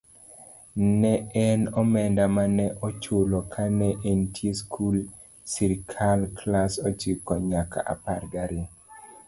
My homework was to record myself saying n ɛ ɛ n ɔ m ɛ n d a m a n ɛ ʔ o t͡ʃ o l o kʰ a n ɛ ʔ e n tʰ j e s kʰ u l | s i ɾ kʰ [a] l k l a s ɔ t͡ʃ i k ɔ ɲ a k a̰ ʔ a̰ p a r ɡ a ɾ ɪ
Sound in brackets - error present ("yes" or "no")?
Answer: no